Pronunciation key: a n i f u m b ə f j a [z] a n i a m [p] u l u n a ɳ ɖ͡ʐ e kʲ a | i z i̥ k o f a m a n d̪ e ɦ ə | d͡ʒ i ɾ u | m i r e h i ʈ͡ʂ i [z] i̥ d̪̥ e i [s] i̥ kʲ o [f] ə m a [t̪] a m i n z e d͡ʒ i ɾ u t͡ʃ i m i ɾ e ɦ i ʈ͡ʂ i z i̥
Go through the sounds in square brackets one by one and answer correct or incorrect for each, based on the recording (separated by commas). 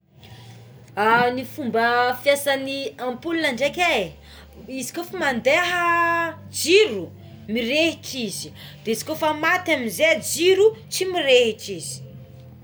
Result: incorrect, correct, correct, incorrect, correct, correct